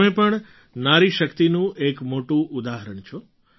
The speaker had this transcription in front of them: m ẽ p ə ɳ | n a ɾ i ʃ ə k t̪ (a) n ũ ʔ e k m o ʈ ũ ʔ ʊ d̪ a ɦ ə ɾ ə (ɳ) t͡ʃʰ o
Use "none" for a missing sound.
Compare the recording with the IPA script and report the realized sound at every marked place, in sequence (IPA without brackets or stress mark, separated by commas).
i, ɳ